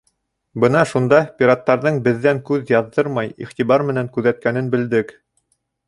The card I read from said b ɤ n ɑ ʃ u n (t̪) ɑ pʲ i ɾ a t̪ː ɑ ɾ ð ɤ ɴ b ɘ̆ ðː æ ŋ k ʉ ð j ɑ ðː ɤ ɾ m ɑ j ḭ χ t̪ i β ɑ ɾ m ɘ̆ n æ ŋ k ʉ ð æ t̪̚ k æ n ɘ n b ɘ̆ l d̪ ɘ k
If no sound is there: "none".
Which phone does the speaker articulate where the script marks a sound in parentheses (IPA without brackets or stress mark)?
d̪